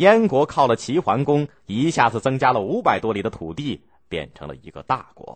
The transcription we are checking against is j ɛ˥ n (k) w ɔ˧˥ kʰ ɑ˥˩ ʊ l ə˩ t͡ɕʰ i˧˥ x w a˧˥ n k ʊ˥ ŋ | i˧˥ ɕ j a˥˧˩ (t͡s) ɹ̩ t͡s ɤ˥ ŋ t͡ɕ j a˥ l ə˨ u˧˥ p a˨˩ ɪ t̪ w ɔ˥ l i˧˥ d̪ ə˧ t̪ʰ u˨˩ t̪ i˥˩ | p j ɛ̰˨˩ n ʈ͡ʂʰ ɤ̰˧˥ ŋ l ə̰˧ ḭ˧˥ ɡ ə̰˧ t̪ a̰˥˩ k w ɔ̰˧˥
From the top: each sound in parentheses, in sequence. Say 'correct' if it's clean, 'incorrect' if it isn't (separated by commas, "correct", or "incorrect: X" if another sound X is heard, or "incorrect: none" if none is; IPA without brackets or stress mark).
correct, correct